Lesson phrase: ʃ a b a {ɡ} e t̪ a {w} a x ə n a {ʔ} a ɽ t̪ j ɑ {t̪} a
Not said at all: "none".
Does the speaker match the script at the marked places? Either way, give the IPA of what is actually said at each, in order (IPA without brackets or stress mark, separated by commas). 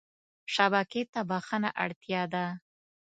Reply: k, b, ʔ, d̪